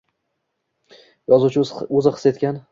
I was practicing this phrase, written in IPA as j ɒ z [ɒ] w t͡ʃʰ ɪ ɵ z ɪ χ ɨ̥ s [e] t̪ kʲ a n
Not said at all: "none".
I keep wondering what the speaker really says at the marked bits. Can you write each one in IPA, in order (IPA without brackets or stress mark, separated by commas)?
u, e